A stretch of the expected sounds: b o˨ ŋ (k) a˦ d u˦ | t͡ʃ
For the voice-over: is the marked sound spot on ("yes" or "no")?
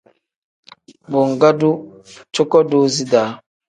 no